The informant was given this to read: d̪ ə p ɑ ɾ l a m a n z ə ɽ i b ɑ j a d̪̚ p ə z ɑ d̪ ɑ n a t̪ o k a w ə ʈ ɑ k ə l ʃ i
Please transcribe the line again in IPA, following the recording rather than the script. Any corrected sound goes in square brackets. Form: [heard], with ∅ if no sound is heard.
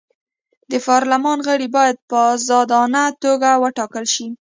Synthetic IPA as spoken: d̪ ə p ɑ ɾ l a m [ɑ] n [ɣ] ə ɽ i b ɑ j a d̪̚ p ə z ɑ d̪ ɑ n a t̪ o [ɡ] a w ə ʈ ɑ k ə l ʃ i